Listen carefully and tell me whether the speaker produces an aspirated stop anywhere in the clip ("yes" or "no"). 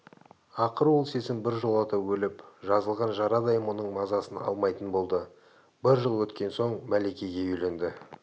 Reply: no